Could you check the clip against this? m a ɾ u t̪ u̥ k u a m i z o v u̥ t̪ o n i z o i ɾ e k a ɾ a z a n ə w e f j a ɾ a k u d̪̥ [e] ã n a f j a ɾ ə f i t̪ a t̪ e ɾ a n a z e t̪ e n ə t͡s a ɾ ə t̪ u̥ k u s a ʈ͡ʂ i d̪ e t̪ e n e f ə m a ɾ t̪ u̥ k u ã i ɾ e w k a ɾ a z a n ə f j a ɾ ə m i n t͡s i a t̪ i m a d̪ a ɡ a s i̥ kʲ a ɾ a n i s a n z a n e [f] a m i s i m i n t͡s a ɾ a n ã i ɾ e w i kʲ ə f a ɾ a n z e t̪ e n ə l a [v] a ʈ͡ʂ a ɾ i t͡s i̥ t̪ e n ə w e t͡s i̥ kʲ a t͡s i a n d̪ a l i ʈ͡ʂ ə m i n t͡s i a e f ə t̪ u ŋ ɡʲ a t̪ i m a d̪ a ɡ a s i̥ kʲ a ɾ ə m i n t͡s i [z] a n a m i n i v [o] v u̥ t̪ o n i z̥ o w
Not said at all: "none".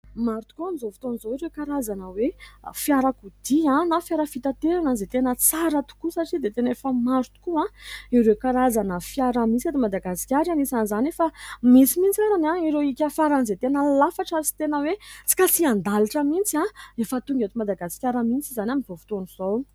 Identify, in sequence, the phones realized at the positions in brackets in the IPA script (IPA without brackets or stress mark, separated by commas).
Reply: i, f, f, z, o